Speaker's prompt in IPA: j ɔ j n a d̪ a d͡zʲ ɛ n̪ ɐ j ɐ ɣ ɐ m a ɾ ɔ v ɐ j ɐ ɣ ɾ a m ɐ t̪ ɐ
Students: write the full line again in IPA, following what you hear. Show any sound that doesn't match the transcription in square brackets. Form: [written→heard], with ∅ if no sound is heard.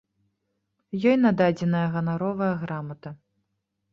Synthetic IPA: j ɔ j n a d̪ a d͡zʲ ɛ n̪ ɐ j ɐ ɣ ɐ [m→n] a ɾ ɔ v ɐ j ɐ ɣ ɾ a m ɐ t̪ ɐ